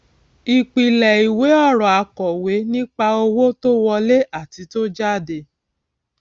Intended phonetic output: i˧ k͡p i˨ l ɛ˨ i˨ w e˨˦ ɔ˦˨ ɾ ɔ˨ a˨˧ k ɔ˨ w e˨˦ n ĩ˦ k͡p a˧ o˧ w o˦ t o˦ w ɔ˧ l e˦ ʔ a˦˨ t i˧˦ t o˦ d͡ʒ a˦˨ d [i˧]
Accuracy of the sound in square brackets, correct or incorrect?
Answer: incorrect